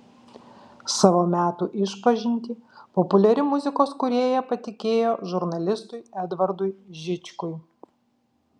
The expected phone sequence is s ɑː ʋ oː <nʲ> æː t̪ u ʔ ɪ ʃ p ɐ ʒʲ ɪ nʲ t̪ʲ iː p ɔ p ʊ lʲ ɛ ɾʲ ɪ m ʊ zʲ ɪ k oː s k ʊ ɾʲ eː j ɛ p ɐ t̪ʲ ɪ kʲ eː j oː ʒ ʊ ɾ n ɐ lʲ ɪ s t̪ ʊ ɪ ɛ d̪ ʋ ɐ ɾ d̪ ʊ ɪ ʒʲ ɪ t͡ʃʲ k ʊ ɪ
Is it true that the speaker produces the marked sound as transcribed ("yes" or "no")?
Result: no